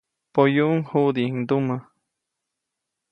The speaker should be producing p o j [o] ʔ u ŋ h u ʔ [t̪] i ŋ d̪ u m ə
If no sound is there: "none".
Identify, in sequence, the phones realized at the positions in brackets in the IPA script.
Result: u, d̪

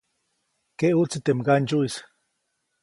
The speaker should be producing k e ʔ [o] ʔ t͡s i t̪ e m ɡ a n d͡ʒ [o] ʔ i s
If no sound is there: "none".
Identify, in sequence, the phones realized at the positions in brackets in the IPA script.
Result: u, u

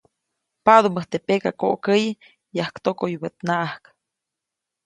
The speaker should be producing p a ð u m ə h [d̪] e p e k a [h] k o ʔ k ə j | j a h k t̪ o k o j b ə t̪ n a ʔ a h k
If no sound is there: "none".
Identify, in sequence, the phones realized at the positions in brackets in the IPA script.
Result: t̪, none

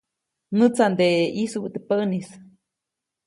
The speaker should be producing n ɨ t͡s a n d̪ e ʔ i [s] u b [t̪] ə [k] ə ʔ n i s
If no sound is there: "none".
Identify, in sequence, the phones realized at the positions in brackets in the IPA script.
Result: s, t̪, p

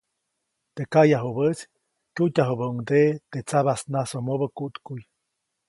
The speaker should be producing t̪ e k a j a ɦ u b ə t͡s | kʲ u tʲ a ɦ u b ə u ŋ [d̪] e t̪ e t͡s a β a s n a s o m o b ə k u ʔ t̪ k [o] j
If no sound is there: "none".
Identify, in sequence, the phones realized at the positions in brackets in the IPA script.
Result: d̪, u

